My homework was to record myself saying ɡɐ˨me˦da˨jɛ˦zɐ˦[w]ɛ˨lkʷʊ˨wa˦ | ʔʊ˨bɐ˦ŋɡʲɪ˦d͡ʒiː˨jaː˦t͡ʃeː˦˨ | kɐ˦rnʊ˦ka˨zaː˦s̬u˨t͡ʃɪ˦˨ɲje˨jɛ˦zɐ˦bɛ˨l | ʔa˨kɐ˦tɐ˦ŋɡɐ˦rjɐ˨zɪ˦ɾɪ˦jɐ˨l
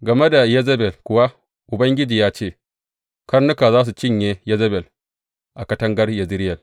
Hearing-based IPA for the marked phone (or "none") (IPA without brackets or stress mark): b